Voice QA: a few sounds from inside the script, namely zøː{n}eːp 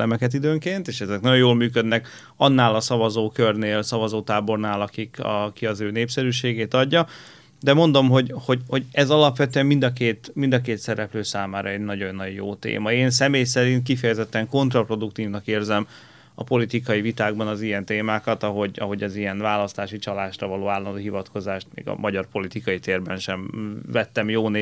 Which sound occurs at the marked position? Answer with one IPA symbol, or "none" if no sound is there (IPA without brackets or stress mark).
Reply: n